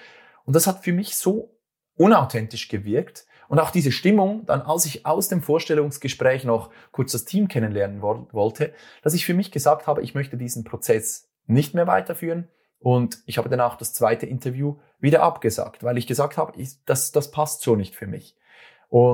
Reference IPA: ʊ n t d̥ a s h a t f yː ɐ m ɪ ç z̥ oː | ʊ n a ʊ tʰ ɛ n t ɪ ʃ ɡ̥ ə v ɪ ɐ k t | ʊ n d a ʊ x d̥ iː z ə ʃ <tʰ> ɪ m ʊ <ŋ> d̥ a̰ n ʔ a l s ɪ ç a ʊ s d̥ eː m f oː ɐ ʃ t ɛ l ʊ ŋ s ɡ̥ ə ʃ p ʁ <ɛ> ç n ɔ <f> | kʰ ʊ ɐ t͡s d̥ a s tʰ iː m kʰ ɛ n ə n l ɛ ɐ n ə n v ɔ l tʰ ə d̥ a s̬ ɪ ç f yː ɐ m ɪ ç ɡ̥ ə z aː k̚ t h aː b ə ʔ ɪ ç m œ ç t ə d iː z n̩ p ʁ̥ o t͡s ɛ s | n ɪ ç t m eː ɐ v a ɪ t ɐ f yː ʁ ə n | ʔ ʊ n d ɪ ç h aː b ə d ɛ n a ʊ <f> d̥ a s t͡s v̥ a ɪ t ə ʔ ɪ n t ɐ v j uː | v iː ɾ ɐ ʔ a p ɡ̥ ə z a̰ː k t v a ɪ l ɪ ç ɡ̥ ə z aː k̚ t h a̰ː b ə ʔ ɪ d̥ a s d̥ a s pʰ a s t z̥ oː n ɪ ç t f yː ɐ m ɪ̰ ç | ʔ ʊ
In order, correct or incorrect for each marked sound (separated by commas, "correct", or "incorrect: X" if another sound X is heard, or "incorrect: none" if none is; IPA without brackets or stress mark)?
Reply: incorrect: t, correct, incorrect: ɛː, incorrect: χ, incorrect: x